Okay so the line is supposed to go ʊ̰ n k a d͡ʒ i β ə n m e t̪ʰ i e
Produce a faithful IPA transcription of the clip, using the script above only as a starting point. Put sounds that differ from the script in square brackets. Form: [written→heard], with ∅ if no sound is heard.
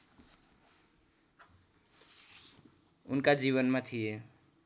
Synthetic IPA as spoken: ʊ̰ n k a d͡ʒ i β ə n m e t̪ʰ i e